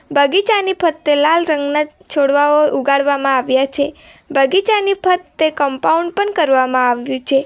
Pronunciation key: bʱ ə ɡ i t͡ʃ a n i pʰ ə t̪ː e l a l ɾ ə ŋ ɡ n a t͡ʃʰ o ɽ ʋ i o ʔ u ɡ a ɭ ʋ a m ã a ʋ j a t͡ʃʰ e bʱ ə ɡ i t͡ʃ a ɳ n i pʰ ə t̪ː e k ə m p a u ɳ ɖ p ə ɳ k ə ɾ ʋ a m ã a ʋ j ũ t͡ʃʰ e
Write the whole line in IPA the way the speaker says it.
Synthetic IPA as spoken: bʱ ə ɡ i t͡ʃ a n i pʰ ə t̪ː e l a l ɾ ə ŋ ɡ n a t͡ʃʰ o ɽ ʋ a o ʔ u ɡ a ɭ ʋ a m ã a ʋ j a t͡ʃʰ e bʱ ə ɡ i t͡ʃ a n i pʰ ə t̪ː e k ə m p a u ɳ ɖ p ə ɳ k ə ɾ ʋ a m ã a ʋ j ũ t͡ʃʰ e